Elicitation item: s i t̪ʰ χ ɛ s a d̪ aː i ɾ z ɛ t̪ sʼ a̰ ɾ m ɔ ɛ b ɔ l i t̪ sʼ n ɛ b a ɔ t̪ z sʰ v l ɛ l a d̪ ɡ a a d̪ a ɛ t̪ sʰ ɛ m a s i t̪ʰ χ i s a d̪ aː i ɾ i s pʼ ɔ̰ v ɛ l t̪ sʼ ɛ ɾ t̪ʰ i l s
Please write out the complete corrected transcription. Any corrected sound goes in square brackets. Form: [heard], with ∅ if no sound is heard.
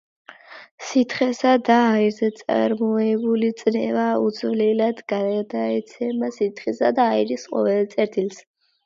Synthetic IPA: s i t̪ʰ χ ɛ s a d̪ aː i ɾ z ɛ t̪ sʼ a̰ ɾ m ɔ ɛ b [u] l i t̪ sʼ n ɛ [v] a [u] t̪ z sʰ v l ɛ l a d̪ ɡ a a d̪ a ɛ t̪ sʰ ɛ m a s i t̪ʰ χ i s a d̪ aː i ɾ i s [qʼ] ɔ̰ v ɛ l t̪ sʼ ɛ ɾ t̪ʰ i l s

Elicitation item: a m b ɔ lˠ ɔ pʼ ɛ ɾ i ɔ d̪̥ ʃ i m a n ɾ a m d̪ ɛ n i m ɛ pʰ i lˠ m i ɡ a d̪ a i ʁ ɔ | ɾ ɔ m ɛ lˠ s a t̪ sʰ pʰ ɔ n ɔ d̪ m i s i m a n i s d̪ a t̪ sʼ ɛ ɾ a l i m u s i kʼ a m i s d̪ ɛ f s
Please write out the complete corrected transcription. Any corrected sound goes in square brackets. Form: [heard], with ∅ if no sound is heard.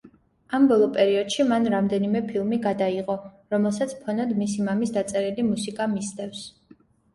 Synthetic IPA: a m b ɔ lˠ ɔ pʼ ɛ ɾ i ɔ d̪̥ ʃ i m a n ɾ a m d̪ ɛ n i m ɛ pʰ i lˠ m i ɡ a d̪ a i ʁ ɔ | ɾ ɔ m ɛ lˠ s a t̪ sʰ pʰ ɔ n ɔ d̪ m i s i m a [m] i s d̪ a t̪ sʼ ɛ ɾ [i] l i m u s i kʼ a m i s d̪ ɛ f s

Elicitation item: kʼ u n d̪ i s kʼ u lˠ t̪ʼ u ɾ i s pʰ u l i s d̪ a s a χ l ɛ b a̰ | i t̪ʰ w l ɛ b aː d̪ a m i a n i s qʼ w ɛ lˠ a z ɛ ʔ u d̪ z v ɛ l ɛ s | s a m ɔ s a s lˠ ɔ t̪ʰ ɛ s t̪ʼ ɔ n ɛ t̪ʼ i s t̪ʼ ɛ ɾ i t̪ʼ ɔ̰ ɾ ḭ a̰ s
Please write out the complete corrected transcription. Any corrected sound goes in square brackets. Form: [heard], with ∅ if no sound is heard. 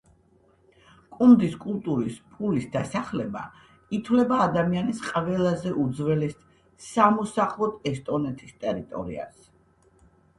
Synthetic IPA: kʼ u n d̪ i s kʼ u lˠ t̪ʼ u ɾ i s pʰ u l i s d̪ a s a χ l ɛ b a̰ | i t̪ʰ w l ɛ b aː d̪ a m i a n i s qʼ [v] ɛ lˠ a z ɛ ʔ u d̪ z v ɛ l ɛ s | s a m ɔ s a [χ] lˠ ɔ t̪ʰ ɛ s t̪ʼ ɔ n ɛ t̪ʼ i s t̪ʼ ɛ ɾ i t̪ʼ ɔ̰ ɾ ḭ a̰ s

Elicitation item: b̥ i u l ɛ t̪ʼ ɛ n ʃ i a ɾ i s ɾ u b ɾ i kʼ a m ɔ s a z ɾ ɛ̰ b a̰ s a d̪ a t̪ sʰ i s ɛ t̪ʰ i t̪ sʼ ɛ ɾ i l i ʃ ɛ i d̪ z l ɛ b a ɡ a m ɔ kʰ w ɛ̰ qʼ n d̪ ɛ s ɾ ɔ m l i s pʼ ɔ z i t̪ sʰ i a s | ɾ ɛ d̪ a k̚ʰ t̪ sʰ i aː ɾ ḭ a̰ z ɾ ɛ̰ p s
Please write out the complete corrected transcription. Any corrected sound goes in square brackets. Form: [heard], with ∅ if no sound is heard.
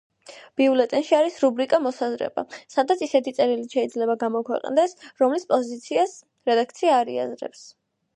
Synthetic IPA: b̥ i u l ɛ t̪ʼ ɛ n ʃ i a ɾ i s ɾ u b ɾ i kʼ a m ɔ s a z ɾ ɛ̰ b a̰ s a d̪ a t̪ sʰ i s ɛ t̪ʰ i t̪ sʼ ɛ ɾ i l i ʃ ɛ i d̪ z l ɛ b a ɡ a m ɔ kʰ w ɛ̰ qʼ n d̪ ɛ s ɾ ɔ m l i s pʼ ɔ z i t̪ sʰ i a s | ɾ ɛ d̪ a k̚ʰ t̪ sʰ i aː ɾ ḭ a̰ z ɾ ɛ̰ p s

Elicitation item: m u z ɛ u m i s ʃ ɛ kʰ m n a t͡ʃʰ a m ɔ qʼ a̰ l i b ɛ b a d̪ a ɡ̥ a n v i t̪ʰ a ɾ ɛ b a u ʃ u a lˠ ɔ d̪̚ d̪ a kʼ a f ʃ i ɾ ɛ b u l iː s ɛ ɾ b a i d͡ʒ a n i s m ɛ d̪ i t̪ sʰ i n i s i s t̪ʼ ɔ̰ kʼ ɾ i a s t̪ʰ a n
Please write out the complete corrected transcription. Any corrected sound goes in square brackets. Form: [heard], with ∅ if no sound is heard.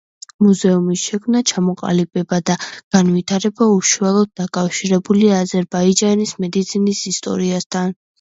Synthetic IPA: m u z ɛ u m i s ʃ ɛ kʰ m n a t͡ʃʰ a m ɔ qʼ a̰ l i b ɛ b a d̪ a ɡ̥ a n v i t̪ʰ a ɾ ɛ b a u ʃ u a lˠ ɔ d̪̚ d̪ a kʼ a f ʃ i ɾ ɛ b u l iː [z] ɛ ɾ b a i d͡ʒ a n i s m ɛ d̪ i t̪ sʰ i n i s i s t̪ʼ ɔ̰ [∅] ɾ i a s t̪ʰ a n

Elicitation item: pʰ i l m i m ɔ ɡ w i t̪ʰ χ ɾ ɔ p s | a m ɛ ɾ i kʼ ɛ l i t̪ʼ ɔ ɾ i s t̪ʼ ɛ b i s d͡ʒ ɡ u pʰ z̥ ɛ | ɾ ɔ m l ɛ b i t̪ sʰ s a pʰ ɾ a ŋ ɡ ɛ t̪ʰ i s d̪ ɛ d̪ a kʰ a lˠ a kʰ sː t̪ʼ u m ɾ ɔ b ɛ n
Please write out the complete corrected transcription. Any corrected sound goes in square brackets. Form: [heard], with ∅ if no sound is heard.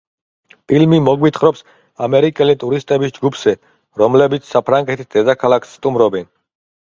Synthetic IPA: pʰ i l m i m ɔ ɡ w i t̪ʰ χ ɾ ɔ p s | a m ɛ ɾ i kʼ ɛ l i t̪ʼ [u] ɾ i s t̪ʼ ɛ b i s d͡ʒ ɡ u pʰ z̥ ɛ | ɾ ɔ m l ɛ b i t̪ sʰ s a pʰ ɾ a ŋ ɡ ɛ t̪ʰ i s d̪ ɛ d̪ a kʰ a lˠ a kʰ sː t̪ʼ u m ɾ ɔ b ɛ n

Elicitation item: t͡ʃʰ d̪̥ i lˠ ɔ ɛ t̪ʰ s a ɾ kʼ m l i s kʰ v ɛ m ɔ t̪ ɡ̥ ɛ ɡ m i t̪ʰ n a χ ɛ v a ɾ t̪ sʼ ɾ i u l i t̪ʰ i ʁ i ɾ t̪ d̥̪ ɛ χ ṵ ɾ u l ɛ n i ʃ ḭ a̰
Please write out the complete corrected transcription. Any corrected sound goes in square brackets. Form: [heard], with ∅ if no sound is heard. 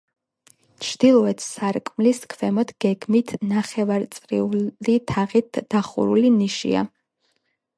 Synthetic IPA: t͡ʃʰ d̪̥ i lˠ ɔ ɛ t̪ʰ s a ɾ kʼ m l i s kʰ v ɛ m ɔ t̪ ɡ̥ ɛ ɡ m i t̪ʰ n a χ ɛ v a ɾ t̪ sʼ ɾ i u l i t̪ʰ [a] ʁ i [∅] t̪ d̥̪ [a] χ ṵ ɾ u l [i] n i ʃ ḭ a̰

